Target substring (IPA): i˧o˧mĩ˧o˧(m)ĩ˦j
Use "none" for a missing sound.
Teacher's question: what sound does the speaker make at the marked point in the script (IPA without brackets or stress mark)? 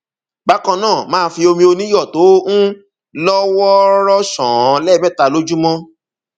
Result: n